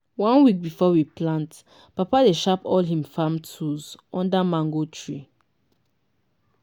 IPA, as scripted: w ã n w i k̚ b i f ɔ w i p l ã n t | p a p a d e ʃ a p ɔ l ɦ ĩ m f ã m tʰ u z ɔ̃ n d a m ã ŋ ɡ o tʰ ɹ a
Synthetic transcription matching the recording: w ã n w i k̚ b i f ɔ w i p l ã n t | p a p a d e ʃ a p ɔ l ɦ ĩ m f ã m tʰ u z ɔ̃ n d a m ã ŋ ɡ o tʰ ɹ i